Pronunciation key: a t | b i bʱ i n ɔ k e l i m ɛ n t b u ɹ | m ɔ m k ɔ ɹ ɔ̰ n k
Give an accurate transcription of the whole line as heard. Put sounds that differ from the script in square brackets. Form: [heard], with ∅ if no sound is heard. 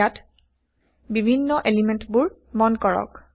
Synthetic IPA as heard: a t | b i bʱ i [nː] ɔ [ʔ] e l i m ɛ n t b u ɹ | m ɔ [n] k ɔ ɹ ɔ̰ [∅] k